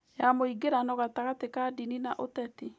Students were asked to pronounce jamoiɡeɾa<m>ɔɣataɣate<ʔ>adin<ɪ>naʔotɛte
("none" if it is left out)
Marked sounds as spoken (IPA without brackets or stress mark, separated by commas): n, k, i